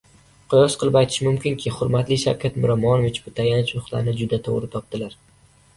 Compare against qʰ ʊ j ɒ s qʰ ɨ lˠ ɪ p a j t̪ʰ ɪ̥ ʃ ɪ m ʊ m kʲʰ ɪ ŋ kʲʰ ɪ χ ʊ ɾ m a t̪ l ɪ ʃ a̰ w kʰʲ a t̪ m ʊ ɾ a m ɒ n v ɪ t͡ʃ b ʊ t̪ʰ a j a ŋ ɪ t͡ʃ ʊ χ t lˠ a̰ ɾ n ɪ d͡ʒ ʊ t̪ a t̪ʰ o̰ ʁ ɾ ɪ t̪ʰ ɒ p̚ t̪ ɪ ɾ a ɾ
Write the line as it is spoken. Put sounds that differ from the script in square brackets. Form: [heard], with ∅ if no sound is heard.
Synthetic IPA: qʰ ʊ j ɒ s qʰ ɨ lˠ ɪ p a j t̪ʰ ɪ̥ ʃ ɪ m ʊ m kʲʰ ɪ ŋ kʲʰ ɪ χ ʊ ɾ m a t̪ l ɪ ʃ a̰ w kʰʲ a t̪ m ʊ ɾ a m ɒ n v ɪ t͡ʃ b ʊ t̪ʰ a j a [n] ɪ t͡ʃ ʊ χ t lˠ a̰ ɾ n ɪ d͡ʒ ʊ [d̪] a t̪ʰ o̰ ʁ ɾ ɪ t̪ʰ ɒ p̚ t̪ ɪ [l] a ɾ